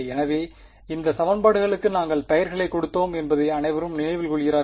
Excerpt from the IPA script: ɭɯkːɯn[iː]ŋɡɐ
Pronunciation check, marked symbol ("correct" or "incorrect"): incorrect